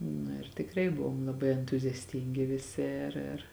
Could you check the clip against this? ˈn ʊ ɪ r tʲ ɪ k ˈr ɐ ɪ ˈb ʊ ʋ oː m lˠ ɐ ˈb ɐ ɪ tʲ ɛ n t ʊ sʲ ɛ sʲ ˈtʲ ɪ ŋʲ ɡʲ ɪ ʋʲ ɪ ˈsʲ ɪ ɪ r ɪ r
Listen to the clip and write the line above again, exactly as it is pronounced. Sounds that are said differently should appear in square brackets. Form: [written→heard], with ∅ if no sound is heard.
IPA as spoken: ˈn ʊ ɪ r tʲ ɪ k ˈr ɐ ɪ ˈb ʊ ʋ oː m lˠ ɐ ˈb ɐ ɪ [tʲ→∅] ɛ n t ʊ [sʲ→zʲ] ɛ sʲ ˈtʲ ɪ ŋʲ ɡʲ ɪ ʋʲ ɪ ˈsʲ ɪ ɪ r ɪ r